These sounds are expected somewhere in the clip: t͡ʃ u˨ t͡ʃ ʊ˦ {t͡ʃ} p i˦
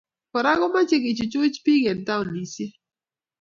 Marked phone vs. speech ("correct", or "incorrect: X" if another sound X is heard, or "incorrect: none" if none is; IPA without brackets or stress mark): correct